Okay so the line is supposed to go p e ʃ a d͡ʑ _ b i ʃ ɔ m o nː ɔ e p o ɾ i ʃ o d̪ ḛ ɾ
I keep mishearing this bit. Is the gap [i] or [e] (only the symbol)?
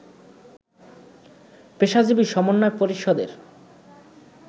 i